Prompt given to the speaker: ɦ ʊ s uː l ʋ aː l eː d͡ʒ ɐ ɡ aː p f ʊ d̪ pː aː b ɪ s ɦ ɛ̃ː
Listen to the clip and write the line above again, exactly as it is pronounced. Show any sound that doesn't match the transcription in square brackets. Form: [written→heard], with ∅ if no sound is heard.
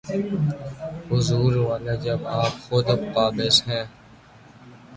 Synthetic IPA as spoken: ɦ ʊ [s→z] uː [l→ɾ] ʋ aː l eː d͡ʒ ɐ [ɡ→b] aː p [f→x] ʊ d̪ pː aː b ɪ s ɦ ɛ̃ː